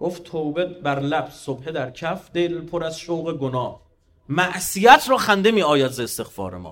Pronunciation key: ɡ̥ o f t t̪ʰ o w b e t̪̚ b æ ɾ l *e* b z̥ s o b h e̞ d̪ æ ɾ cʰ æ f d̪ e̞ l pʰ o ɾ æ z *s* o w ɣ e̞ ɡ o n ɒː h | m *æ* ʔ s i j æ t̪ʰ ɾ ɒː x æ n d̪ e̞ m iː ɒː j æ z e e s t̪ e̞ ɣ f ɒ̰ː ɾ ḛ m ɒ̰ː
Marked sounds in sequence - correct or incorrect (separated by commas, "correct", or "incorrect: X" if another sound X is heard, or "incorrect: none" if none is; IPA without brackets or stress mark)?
incorrect: æ, incorrect: ʃ, correct